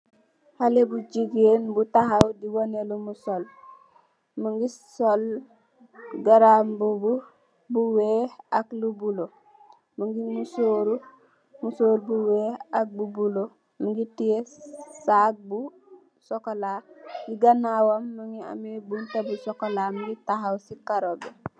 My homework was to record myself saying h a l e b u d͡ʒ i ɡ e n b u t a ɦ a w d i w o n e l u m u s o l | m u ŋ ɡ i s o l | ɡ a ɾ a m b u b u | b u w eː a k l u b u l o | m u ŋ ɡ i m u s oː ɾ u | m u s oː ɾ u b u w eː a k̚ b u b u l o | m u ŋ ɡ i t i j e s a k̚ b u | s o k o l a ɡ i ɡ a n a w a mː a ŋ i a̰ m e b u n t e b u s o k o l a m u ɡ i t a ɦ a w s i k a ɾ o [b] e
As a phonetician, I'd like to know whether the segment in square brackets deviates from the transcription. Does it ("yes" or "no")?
no